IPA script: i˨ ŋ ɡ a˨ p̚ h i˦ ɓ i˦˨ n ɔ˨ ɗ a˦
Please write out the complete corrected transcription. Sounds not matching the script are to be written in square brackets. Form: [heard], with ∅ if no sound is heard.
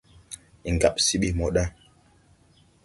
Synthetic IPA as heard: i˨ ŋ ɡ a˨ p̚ [s] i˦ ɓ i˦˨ [m] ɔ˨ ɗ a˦